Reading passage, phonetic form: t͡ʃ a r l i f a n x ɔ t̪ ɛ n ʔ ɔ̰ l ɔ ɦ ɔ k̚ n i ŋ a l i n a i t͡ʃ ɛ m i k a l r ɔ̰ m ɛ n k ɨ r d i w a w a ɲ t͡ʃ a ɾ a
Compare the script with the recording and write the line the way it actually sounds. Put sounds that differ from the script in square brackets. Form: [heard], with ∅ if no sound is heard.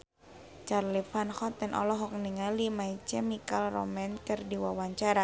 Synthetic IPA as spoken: t͡ʃ a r l i f a n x ɔ t̪ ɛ n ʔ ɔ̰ l ɔ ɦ ɔ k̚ n i ŋ a l i [m] a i t͡ʃ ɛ m i k a l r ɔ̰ m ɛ n k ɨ r d i w a w a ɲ t͡ʃ a ɾ a